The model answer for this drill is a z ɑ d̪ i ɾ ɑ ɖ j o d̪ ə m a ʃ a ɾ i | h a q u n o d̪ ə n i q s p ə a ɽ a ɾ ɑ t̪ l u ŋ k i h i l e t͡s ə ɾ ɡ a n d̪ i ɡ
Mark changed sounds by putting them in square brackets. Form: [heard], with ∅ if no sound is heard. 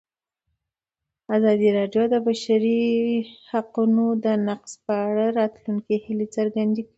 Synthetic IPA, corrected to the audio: a z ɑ d̪ i ɾ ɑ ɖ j o d̪ ə [b] a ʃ a ɾ i | h a q u n o d̪ ə n [a] q s p ə a ɽ a ɾ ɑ t̪ l u ŋ k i h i l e t͡s ə ɾ ɡ a n d̪ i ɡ